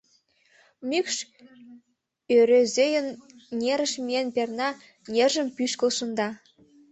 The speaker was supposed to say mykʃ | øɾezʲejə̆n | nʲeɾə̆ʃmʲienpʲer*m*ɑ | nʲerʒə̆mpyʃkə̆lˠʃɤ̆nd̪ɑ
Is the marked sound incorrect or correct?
incorrect